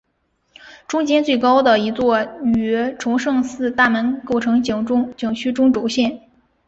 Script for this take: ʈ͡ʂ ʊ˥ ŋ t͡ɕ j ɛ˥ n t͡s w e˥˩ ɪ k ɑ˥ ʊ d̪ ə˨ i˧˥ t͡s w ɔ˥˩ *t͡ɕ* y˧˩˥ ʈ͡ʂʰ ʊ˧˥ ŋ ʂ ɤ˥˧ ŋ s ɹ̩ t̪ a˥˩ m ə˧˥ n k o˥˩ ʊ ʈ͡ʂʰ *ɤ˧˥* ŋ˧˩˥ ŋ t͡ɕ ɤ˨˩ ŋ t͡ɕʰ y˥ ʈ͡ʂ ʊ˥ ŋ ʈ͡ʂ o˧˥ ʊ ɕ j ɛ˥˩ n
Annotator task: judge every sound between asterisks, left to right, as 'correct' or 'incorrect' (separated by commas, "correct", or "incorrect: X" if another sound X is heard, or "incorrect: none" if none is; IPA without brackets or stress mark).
incorrect: none, correct